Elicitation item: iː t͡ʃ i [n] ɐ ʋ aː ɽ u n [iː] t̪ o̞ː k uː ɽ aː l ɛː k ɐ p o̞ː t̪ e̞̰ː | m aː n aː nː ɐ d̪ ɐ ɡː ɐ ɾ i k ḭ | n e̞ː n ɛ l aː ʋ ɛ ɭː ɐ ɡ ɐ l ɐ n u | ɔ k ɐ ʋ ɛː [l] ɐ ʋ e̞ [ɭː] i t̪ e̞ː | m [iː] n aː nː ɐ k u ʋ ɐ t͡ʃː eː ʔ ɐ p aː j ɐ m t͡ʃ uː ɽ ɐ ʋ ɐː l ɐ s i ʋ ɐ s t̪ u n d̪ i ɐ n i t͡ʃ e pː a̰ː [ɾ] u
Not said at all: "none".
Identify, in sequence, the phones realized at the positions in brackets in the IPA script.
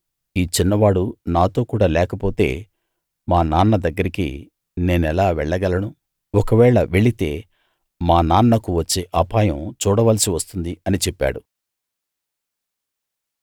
nː, aː, ɭ, ɭ, aː, ɽ

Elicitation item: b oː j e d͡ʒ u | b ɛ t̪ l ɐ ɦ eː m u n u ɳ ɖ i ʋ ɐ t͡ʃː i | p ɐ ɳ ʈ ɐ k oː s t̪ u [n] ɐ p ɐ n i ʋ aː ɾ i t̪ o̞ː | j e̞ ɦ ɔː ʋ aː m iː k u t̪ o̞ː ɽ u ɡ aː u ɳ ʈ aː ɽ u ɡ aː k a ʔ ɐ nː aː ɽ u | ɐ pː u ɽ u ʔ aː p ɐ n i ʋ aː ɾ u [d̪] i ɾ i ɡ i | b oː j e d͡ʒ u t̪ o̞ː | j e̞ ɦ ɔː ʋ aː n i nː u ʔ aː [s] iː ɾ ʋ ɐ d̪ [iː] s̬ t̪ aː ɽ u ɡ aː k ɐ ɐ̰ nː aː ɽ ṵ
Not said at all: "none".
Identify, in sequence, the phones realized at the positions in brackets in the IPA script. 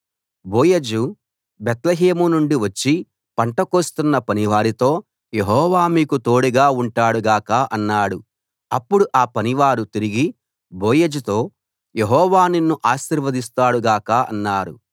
nː, t̪, ʃ, i

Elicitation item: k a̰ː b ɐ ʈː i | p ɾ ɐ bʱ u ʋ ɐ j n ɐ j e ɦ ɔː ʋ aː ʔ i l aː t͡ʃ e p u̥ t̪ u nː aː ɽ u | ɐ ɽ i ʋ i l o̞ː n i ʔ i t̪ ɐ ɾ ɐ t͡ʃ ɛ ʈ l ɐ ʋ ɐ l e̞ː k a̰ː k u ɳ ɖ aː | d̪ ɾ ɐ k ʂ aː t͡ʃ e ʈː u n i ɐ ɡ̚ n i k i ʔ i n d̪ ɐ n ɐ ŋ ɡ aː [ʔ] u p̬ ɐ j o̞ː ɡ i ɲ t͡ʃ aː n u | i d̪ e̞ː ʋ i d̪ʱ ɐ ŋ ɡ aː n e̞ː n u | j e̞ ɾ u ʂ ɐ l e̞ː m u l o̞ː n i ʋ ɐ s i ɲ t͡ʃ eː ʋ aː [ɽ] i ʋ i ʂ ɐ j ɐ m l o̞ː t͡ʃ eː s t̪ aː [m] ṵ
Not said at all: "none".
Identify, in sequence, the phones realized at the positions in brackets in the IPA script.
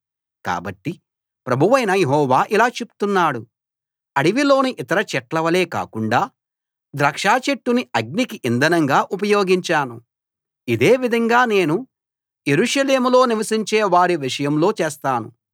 ʔ, ɾ, n

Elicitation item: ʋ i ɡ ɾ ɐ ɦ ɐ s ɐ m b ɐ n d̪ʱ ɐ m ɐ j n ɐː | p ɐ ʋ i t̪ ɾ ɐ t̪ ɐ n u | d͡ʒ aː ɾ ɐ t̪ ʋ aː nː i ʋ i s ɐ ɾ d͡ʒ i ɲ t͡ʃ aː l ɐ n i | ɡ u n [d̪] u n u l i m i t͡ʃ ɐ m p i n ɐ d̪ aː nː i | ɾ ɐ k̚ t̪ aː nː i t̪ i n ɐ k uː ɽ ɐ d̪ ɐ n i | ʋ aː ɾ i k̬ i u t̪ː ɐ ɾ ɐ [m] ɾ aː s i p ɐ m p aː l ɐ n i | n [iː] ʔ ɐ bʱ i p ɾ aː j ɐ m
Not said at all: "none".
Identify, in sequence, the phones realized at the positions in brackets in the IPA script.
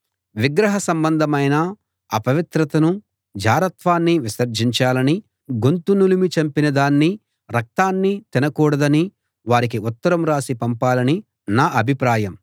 t̪, m, aː

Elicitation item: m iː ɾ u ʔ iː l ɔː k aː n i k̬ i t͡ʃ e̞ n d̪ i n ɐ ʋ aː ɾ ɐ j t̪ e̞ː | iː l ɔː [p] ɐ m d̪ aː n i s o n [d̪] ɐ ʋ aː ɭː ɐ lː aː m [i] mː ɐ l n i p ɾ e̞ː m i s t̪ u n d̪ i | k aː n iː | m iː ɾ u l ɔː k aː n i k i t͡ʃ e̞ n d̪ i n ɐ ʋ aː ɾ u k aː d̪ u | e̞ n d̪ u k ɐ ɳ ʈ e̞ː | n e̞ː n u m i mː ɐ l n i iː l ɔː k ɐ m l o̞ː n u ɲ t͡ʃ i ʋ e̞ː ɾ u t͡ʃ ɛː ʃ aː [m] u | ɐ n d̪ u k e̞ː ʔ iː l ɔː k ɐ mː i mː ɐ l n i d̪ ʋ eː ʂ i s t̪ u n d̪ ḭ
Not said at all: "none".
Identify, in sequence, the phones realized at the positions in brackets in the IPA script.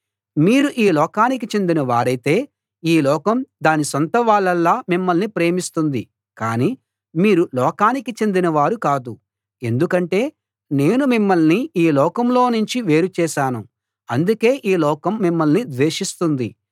k, t̪, i, n

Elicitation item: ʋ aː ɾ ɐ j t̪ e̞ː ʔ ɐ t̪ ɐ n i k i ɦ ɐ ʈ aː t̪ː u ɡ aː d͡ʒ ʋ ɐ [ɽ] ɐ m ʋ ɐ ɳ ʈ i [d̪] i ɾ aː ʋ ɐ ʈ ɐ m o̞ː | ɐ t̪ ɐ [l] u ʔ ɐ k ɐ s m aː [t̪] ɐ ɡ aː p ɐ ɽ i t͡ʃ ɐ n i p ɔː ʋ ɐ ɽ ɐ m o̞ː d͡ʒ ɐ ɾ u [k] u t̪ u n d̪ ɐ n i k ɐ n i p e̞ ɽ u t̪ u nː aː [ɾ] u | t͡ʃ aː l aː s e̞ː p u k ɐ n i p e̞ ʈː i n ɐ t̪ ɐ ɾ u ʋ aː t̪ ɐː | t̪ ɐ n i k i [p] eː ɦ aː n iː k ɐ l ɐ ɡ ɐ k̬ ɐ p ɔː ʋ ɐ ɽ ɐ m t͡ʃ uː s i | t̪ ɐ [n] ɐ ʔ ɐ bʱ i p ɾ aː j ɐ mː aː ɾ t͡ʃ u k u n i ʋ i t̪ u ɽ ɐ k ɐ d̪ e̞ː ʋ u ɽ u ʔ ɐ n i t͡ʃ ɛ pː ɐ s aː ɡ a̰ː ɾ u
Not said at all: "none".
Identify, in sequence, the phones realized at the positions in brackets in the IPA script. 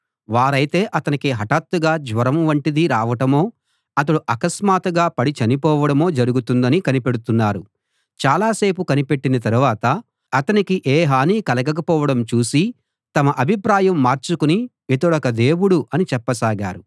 ɾ, d̪, ɽ, t̪, ɡ, ɾ, ʔ, m

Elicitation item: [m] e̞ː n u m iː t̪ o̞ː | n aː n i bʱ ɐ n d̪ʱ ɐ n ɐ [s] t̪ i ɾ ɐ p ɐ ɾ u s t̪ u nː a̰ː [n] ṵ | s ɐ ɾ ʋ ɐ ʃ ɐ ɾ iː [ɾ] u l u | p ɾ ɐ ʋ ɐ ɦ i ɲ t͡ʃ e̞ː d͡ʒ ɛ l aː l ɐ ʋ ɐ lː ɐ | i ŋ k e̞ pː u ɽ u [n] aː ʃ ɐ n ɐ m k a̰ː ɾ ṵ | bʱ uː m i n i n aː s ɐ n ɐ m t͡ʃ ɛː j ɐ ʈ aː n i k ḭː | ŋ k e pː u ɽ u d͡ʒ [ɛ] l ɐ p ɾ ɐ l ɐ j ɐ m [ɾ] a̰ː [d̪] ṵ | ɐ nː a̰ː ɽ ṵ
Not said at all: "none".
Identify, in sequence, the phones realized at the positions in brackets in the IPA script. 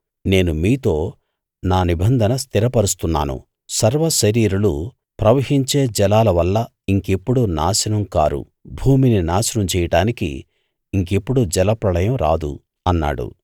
n, s, n, ɾ, n, ɛ, ɾ, d̪

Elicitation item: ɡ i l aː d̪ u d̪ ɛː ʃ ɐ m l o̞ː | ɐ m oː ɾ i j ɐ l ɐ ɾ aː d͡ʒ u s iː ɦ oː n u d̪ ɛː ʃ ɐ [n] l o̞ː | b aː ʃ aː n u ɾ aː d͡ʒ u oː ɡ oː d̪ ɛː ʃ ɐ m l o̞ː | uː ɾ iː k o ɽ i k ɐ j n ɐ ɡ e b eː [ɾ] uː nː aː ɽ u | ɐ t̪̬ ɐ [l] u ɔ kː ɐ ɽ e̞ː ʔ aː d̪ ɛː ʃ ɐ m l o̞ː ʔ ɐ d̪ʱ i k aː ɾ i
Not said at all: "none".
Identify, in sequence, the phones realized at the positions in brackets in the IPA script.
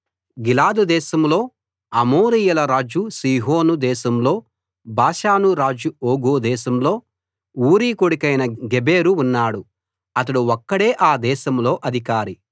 m, ɾ, ɽ

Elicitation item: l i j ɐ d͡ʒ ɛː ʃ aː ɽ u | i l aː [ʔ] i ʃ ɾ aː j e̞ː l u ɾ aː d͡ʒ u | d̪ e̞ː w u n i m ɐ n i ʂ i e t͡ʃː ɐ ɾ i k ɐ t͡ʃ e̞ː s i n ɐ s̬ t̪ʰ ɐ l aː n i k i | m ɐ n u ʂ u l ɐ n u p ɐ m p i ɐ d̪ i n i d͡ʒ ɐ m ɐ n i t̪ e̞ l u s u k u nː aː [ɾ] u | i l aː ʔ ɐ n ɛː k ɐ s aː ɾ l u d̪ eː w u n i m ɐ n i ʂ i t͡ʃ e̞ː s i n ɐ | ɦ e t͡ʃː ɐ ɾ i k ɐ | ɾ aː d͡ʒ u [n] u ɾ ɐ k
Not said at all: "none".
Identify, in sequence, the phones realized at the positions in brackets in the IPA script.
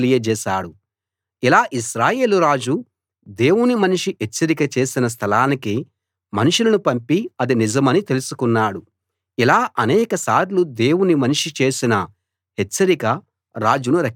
ʔ, ɽ, n

